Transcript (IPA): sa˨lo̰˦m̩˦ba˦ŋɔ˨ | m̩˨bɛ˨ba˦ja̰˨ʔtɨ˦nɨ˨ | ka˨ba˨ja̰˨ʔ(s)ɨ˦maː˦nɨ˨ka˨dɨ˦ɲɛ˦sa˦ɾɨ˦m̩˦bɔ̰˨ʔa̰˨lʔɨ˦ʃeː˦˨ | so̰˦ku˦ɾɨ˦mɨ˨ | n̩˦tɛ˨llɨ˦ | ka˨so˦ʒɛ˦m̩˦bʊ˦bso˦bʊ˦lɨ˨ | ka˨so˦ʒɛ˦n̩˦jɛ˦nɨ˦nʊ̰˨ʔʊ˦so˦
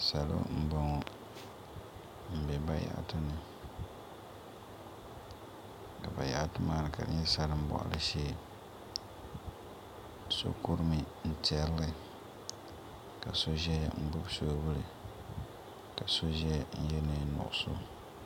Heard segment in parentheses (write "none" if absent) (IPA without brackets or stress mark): t